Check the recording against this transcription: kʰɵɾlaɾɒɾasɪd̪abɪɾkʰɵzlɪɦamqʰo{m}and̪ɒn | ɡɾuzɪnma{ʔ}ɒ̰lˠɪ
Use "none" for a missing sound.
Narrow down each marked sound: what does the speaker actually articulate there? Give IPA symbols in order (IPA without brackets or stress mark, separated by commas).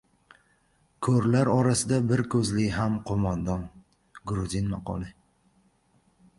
m, q